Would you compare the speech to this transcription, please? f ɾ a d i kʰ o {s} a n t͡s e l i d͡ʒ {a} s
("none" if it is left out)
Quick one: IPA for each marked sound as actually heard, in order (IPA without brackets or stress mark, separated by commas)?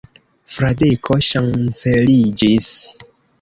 ʃ, i